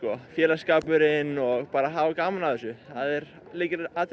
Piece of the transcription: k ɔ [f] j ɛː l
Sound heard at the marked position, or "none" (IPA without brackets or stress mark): f